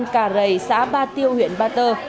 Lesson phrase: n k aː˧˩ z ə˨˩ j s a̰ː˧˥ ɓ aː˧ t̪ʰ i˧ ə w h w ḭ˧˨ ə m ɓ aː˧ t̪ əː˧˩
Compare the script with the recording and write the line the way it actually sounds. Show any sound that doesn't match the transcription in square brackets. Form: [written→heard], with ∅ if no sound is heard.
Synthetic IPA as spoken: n k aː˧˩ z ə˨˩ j s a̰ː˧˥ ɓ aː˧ [t̪ʰ→t̪] i˧ ə w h w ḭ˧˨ ə [m→n] ɓ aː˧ t̪ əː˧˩

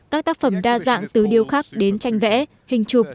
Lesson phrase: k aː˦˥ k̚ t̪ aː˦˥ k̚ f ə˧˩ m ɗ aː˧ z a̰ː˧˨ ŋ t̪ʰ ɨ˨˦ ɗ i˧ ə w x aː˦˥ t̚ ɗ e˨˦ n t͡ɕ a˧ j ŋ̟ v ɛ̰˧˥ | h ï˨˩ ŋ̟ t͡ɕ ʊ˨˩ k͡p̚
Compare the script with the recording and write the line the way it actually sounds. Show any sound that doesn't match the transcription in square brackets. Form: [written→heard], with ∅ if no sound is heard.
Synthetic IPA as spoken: k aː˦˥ k̚ t̪ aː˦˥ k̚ f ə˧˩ m ɗ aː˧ z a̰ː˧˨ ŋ [t̪ʰ→t̪] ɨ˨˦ ɗ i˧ ə w x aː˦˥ [t̚→k̚] ɗ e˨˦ n t͡ɕ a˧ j ŋ̟ v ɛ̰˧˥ | h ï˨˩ ŋ̟ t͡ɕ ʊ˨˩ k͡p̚

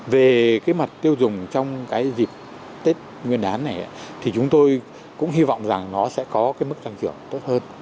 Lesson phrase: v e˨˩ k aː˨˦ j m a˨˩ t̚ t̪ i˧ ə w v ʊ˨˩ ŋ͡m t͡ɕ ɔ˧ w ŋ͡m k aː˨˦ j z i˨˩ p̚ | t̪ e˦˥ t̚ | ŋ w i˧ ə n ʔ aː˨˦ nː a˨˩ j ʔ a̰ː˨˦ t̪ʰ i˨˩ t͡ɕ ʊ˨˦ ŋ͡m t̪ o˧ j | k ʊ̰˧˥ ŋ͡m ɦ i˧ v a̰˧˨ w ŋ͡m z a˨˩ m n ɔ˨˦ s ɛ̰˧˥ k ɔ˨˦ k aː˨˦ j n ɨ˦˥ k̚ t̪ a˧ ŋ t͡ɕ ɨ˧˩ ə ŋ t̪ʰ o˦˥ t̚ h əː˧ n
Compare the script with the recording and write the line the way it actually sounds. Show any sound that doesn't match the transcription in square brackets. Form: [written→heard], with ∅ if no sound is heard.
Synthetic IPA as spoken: v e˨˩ k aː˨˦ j m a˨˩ t̚ t̪ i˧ ə w [v→z] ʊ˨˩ ŋ͡m t͡ɕ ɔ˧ w ŋ͡m k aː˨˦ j z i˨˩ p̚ | t̪ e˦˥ t̚ | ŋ w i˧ ə n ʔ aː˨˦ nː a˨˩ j ʔ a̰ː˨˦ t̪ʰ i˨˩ t͡ɕ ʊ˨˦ ŋ͡m t̪ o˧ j | k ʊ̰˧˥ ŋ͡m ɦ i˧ v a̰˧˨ w ŋ͡m z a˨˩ [m→ŋ] n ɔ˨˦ s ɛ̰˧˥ k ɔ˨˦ k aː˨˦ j [n→m] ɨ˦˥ k̚ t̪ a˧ ŋ t͡ɕ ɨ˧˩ ə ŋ [t̪ʰ→t̪] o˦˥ t̚ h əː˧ n

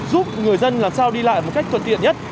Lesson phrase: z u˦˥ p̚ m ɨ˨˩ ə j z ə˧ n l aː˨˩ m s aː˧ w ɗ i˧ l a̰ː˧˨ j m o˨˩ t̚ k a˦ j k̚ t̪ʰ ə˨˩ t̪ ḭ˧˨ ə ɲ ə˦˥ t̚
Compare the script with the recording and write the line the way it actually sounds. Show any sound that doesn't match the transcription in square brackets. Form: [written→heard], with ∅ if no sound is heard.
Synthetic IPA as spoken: z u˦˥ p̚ [m→ŋ] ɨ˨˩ ə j z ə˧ n l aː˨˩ m s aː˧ w ɗ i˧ l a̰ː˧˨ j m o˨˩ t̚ k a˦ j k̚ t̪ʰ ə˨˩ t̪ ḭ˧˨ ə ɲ ə˦˥ t̚

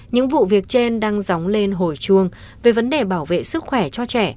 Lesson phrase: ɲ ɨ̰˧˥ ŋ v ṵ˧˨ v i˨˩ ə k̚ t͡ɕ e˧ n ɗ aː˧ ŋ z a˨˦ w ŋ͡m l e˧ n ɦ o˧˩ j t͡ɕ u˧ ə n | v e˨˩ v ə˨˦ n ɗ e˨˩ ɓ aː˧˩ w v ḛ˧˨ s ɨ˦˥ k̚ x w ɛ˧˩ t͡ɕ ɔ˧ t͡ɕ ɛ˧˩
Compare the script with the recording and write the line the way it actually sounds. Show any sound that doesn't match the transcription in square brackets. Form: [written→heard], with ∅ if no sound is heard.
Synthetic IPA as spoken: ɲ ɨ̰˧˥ ŋ v ṵ˧˨ v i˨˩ ə k̚ t͡ɕ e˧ n ɗ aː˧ ŋ z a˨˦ w ŋ͡m l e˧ n ɦ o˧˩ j t͡ɕ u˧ ə [n→ŋ] | v e˨˩ v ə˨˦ n ɗ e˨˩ ɓ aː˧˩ w v ḛ˧˨ s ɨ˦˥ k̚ x w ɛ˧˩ t͡ɕ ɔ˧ t͡ɕ ɛ˧˩

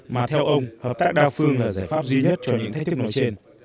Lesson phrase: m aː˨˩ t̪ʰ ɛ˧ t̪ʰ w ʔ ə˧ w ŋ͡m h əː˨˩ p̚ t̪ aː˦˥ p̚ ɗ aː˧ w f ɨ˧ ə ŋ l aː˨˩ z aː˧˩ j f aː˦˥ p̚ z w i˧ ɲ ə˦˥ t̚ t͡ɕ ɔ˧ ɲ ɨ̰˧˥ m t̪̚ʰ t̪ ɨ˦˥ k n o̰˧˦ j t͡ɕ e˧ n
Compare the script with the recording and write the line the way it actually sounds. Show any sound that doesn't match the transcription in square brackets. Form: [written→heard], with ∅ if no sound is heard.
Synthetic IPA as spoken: m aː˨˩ t̪ʰ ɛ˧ [t̪ʰ→∅] w ʔ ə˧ w ŋ͡m h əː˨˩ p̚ t̪ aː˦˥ [p̚→k̚] ɗ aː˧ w f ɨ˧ ə ŋ l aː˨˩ z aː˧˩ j f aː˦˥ p̚ z w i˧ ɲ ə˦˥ t̚ t͡ɕ ɔ˧ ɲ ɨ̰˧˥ [m→ŋ] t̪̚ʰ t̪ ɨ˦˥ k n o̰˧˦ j t͡ɕ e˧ n

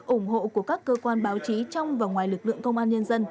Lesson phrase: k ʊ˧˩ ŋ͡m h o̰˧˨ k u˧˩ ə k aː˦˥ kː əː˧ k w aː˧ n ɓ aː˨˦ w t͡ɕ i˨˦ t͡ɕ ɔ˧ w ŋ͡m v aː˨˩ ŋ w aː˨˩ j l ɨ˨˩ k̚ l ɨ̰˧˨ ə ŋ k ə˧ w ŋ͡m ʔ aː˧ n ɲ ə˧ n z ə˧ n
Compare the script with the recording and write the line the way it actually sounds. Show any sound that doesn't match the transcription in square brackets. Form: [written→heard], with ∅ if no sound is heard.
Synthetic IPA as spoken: [k→ʔ] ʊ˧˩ ŋ͡m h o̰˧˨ k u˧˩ ə k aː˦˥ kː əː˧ k w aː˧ n ɓ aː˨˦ w t͡ɕ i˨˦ t͡ɕ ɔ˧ w ŋ͡m v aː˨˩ ŋ w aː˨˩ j l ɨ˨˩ k̚ l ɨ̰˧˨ ə ŋ k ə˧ w ŋ͡m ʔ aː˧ n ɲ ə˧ n z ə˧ n

